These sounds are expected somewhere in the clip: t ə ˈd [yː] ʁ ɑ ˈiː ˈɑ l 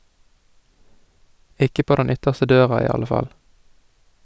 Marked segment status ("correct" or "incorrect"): incorrect